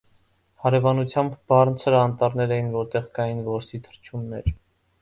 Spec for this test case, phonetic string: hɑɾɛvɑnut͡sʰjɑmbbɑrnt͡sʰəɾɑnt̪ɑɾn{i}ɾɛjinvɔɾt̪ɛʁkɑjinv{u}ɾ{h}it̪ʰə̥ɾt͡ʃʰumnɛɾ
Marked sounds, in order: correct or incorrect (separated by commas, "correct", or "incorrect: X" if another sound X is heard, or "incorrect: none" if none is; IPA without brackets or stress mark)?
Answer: incorrect: ɛ, incorrect: ɔ, incorrect: s